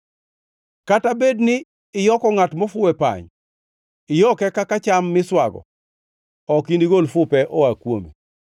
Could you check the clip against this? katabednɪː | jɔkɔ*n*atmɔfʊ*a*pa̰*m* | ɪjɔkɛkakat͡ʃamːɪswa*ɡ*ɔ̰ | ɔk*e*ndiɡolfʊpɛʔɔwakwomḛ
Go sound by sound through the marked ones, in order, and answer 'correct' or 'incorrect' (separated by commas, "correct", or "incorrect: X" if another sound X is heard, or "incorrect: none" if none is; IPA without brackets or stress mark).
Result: incorrect: ŋ, incorrect: ɛ, incorrect: ɲ, correct, incorrect: i